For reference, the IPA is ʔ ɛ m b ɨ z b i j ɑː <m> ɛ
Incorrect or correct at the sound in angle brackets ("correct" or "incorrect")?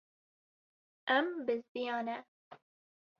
incorrect